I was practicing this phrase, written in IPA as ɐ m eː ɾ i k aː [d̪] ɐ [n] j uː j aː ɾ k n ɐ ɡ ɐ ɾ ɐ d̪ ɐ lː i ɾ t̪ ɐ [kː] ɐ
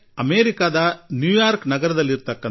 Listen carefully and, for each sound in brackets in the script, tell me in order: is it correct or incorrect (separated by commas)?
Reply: correct, correct, correct